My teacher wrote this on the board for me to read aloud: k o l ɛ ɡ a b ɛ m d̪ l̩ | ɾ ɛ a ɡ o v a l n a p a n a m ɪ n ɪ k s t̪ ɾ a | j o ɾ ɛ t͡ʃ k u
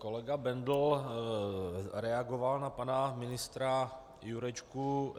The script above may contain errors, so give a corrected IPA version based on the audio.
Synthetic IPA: k o l ɛ ɡ a b ɛ n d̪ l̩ | ɾ ɛ a ɡ o v a l n a p a n a m ɪ n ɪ s t̪ ɾ a | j u ɾ ɛ t͡ʃ k u